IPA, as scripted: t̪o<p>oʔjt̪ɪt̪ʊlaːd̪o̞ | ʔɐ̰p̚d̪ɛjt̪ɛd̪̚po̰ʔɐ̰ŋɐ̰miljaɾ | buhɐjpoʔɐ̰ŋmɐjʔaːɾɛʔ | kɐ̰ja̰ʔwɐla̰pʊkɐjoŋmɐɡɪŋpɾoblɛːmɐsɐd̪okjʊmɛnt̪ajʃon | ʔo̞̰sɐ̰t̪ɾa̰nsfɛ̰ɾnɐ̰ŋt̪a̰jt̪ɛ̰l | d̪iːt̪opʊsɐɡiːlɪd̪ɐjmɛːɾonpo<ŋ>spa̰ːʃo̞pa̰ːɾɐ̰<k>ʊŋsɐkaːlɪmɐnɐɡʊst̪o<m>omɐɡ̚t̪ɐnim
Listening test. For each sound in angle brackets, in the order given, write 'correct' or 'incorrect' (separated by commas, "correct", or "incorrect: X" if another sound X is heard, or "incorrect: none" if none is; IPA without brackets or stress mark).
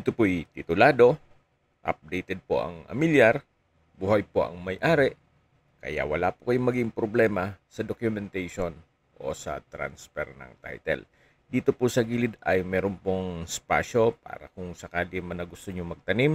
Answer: correct, correct, correct, incorrect: ɲ